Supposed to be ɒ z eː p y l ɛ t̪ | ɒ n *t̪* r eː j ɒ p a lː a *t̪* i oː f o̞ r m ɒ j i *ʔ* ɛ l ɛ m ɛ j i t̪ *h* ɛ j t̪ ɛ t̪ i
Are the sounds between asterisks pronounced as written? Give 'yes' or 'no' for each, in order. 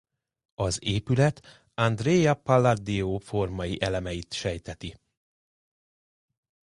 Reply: no, no, yes, no

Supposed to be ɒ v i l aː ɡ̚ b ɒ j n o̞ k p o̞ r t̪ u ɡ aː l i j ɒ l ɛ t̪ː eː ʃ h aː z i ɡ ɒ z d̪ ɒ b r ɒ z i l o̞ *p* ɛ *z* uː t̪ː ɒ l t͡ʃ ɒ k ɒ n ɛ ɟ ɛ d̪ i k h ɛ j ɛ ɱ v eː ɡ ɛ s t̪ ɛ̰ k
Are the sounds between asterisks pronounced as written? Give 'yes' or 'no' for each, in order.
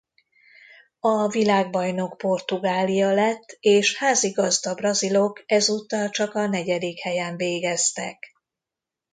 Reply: no, yes

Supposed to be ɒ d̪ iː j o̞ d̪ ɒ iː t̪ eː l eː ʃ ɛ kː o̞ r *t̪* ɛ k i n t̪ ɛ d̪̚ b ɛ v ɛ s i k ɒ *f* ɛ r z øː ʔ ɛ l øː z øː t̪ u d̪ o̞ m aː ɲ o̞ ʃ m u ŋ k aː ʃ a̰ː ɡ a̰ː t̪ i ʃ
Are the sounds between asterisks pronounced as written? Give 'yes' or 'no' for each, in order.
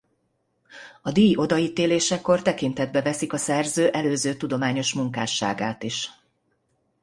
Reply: yes, no

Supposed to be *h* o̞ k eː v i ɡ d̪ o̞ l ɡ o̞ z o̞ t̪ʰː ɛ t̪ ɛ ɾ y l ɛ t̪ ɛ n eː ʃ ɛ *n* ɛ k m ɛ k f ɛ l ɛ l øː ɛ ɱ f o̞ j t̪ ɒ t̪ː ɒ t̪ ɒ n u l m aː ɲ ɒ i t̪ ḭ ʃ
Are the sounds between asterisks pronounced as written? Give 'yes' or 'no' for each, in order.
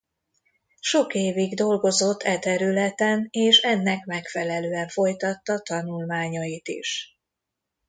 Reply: no, no

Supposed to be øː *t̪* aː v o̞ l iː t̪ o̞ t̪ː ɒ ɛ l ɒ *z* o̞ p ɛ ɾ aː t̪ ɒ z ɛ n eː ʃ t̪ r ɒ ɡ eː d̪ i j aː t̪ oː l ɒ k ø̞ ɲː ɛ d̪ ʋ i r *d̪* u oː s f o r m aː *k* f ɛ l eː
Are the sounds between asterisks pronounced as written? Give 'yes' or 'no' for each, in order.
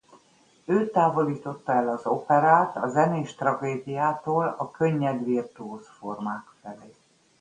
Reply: yes, yes, no, yes

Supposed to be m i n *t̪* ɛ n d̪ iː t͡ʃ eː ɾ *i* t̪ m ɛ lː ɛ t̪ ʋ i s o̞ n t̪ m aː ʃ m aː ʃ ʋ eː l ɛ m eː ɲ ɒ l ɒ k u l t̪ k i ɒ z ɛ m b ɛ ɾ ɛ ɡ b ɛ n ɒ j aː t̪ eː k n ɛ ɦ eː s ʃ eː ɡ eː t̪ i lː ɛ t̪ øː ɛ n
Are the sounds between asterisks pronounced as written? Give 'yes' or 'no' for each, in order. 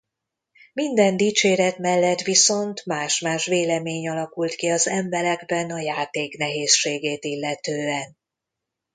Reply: no, no

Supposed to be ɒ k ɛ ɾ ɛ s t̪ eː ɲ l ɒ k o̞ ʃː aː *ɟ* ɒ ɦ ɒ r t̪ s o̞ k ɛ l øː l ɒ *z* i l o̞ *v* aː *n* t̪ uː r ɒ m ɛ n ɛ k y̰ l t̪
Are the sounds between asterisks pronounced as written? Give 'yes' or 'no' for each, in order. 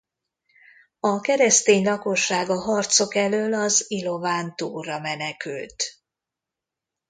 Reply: no, yes, yes, yes

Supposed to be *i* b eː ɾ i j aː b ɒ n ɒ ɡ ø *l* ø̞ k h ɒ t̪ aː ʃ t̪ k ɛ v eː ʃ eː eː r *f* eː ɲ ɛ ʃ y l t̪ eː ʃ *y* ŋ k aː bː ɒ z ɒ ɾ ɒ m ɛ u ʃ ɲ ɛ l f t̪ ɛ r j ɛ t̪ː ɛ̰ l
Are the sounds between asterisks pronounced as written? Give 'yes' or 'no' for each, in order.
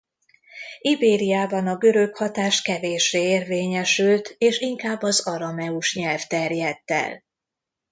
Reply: yes, no, no, no

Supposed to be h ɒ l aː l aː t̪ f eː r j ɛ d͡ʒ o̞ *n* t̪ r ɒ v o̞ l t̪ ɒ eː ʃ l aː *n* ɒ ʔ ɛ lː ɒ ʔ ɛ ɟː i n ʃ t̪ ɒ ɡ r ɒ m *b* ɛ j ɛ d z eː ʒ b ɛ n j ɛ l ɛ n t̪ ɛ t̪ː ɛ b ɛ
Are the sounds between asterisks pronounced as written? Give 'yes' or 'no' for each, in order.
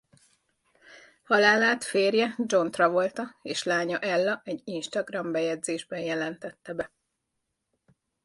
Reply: yes, no, yes

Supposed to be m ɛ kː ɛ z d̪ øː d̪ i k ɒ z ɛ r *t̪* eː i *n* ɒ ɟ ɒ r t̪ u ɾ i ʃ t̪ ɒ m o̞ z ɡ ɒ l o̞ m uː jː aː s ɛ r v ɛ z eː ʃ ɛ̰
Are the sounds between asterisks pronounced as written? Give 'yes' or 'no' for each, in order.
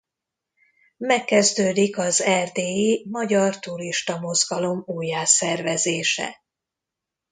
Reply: no, no

